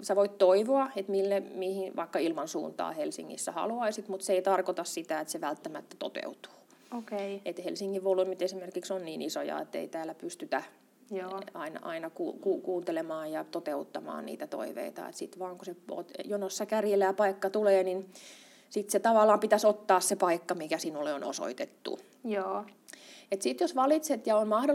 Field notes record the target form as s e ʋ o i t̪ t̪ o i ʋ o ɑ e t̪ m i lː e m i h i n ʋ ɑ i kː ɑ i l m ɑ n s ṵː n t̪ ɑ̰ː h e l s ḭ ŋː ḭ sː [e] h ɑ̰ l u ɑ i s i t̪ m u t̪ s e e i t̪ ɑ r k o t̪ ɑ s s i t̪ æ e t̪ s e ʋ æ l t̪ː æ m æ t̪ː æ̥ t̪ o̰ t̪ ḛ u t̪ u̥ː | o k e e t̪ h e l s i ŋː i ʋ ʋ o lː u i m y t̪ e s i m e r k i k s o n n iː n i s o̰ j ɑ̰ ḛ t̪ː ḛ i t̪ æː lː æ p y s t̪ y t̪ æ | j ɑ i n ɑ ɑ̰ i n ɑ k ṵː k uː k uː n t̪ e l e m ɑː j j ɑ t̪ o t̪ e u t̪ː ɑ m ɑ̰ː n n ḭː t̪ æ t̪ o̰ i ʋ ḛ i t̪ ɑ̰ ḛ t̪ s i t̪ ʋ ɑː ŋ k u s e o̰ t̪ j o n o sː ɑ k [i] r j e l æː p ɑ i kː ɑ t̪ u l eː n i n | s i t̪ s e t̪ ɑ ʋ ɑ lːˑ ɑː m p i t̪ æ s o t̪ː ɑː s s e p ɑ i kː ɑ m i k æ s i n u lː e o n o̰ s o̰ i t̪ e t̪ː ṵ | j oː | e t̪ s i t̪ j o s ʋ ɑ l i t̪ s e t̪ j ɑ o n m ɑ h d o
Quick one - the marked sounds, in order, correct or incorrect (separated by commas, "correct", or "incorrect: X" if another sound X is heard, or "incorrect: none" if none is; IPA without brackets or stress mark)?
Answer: incorrect: æ, incorrect: æ